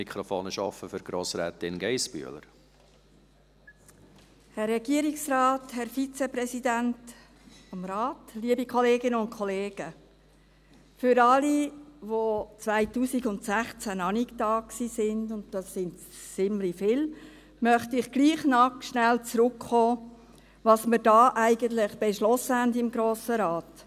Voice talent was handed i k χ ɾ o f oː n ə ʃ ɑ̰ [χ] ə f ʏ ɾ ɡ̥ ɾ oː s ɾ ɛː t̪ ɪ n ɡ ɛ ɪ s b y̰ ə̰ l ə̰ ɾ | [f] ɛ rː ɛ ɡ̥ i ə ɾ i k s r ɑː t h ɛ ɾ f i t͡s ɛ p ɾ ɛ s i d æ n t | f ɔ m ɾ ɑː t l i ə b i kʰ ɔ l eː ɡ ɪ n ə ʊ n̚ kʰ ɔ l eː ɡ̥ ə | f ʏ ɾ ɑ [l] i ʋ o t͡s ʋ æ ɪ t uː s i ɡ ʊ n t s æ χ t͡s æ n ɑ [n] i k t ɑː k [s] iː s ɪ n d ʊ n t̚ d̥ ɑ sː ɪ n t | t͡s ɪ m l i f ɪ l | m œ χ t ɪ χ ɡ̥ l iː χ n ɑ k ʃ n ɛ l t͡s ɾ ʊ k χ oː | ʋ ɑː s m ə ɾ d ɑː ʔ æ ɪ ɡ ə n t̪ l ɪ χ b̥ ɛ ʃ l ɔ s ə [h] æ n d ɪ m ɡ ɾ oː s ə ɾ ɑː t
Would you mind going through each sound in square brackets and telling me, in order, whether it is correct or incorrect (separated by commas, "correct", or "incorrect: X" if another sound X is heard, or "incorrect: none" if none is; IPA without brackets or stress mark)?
incorrect: f, incorrect: h, correct, correct, correct, correct